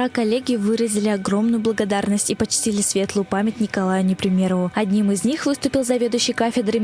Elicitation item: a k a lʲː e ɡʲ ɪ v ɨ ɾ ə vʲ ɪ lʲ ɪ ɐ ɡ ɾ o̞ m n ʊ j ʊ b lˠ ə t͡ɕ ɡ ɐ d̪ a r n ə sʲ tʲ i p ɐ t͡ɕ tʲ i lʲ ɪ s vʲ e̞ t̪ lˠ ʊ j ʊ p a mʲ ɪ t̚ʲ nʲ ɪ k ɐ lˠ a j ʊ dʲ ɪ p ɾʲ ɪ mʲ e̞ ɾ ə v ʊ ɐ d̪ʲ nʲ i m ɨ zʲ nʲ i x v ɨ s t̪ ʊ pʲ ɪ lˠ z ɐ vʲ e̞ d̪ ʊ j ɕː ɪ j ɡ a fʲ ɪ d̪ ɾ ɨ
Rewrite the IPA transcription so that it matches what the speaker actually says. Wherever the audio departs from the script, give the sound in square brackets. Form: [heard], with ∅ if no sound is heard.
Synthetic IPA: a k [ɐ] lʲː e ɡʲ ɪ v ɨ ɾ ə [zʲ] ɪ lʲ ɪ ɐ ɡ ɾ o̞ m n ʊ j ʊ b lˠ ə [∅] ɡ ɐ d̪ a r n ə sʲ tʲ i p ɐ t͡ɕ tʲ i lʲ ɪ s vʲ e̞ t̪ lˠ ʊ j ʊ p a mʲ ɪ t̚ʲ nʲ ɪ k ɐ lˠ a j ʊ [nʲ] ɪ p ɾʲ ɪ mʲ e̞ ɾ ə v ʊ ɐ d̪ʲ nʲ i m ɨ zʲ nʲ i x v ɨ s t̪ ʊ pʲ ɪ lˠ z ɐ vʲ e̞ d̪ ʊ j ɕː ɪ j [k] a fʲ ɪ d̪ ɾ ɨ